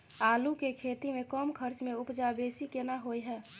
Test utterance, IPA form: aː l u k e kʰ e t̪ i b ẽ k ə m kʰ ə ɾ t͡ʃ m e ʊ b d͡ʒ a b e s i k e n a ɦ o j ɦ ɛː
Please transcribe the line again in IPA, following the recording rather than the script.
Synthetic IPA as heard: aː l u k e kʰ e t̪ i m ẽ k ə m kʰ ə ɾ t͡ʃ m e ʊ p d͡ʒ a b e s i k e n a ɦ o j ɦ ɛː